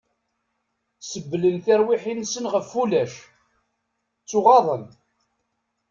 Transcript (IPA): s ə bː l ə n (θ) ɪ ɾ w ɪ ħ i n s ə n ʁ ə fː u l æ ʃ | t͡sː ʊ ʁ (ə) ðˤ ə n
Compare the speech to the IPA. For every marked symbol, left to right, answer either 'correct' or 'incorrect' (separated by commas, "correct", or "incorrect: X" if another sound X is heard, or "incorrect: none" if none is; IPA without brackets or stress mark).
correct, incorrect: ɑ